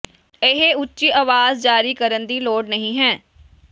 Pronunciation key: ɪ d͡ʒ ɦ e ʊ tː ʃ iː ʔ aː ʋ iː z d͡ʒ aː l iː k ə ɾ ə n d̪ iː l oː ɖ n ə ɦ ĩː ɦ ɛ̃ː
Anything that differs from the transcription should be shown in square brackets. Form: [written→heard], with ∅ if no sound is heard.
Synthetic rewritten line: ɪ [d͡ʒ→∅] ɦ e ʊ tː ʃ iː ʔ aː ʋ [iː→aː] z d͡ʒ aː [l→ɾ] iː k ə ɾ ə n d̪ iː l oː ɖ n ə ɦ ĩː ɦ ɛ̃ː